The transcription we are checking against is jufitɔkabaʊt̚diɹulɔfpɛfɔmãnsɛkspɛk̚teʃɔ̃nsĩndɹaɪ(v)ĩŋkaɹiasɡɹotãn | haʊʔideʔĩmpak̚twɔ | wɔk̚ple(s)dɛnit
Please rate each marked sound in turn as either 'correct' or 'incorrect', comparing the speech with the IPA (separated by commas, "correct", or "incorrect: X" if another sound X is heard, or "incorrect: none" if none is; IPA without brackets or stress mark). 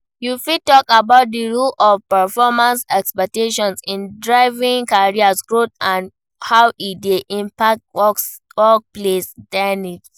correct, correct